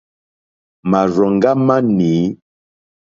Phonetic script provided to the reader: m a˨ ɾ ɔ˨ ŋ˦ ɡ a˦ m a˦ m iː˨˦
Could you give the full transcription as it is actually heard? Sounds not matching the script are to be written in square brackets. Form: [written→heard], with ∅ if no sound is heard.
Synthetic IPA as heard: m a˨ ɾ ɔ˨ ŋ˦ ɡ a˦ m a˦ [m→n] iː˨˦